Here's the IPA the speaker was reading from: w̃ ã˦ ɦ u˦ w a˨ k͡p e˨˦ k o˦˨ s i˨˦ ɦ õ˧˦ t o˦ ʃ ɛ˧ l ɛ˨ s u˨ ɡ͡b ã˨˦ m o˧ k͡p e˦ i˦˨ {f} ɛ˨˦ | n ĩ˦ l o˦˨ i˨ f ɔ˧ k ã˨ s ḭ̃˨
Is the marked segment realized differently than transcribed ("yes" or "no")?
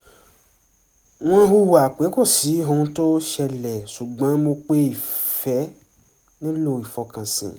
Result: no